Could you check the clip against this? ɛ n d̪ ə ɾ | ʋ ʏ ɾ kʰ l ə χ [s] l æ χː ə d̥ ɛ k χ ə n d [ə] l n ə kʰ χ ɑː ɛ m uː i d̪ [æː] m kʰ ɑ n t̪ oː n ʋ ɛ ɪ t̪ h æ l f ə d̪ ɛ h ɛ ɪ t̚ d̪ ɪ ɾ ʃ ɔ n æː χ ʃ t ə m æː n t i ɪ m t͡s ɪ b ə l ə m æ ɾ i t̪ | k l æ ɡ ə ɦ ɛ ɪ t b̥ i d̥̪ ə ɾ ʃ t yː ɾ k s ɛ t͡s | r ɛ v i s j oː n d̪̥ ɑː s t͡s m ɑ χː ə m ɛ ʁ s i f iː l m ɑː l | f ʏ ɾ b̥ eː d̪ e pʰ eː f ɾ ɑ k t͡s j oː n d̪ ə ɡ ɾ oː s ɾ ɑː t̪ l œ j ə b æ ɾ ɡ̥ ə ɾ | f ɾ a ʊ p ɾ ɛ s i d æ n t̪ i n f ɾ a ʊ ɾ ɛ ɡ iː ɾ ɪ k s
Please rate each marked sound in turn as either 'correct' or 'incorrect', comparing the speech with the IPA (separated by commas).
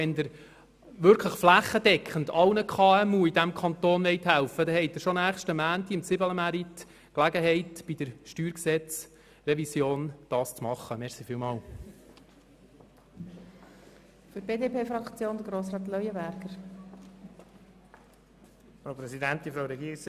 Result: incorrect, incorrect, incorrect